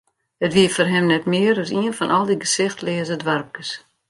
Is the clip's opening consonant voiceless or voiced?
voiceless